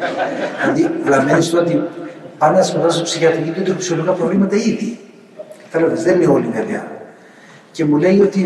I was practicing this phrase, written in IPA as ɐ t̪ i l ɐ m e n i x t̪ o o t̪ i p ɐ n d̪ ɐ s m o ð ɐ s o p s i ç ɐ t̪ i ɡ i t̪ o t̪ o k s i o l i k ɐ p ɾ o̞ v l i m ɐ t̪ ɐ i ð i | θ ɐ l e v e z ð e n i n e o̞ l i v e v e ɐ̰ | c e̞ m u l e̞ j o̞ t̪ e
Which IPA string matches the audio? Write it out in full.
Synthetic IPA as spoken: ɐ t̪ i l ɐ m e n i s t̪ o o t̪ i p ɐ n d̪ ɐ s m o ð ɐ s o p s i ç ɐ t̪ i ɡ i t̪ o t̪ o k s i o l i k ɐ p ɾ o̞ v l i m ɐ t̪ ɐ i ð i | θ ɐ l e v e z ð e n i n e o̞ l i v e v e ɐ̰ | c e̞ m u l e̞ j o̞ t̪ i